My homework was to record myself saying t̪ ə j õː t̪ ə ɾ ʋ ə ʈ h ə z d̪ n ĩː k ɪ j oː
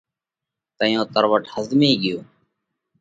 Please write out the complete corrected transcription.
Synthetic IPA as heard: t̪ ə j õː t̪ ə ɾ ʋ ə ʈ h ə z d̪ m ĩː ɡ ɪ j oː